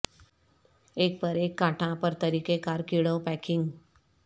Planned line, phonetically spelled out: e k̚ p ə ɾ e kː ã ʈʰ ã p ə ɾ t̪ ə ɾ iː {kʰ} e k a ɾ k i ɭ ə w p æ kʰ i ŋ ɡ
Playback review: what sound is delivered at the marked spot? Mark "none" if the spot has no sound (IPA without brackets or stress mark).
k